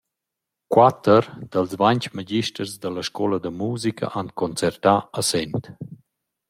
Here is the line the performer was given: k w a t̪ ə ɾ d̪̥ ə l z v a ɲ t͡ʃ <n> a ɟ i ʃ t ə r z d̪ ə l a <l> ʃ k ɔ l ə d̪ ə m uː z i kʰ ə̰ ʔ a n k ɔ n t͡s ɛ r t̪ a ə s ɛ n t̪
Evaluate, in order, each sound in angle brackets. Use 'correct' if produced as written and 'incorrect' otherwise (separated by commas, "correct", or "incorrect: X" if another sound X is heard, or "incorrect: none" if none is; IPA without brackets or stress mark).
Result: incorrect: m, incorrect: none